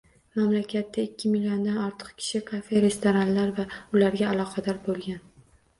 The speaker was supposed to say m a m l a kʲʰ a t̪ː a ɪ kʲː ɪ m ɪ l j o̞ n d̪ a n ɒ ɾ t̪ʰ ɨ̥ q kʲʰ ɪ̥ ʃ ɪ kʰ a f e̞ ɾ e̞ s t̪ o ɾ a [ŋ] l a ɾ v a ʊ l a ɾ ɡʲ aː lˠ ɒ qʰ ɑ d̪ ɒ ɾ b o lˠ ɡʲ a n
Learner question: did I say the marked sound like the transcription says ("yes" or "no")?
no